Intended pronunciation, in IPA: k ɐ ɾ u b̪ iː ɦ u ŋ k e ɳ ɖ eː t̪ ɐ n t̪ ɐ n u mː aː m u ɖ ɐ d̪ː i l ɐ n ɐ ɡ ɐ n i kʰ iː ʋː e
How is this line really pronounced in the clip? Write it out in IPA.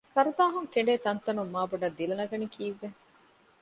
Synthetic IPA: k ɐ ɾ u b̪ aː ɦ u ŋ k e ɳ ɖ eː t̪ ɐ n t̪ ɐ n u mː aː b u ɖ ɐ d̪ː i l ɐ n ɐ ɡ ɐ n i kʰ iː ʋː e